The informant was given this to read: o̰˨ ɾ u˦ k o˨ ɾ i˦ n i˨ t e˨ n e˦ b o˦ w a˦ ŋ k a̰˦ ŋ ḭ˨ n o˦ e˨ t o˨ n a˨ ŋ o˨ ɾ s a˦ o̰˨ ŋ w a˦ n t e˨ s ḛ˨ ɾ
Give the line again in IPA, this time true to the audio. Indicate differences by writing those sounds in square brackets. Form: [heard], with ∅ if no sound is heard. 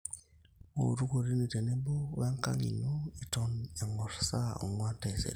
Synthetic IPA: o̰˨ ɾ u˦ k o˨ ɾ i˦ n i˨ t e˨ n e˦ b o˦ [β] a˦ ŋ k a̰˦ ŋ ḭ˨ n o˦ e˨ t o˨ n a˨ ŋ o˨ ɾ s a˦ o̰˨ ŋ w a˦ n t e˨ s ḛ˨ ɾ